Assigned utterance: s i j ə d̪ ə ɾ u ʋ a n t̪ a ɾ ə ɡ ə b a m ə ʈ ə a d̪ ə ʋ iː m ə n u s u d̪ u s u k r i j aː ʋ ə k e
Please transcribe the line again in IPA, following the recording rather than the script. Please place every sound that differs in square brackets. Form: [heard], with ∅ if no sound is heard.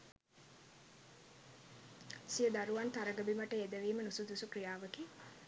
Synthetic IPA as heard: s i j ə d̪ [a] ɾ u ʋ a n t̪ a ɾ ə ɡ ə b [i] m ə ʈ ə [e] d̪ ə ʋ iː m ə n u s u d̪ u s u k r i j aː ʋ ə k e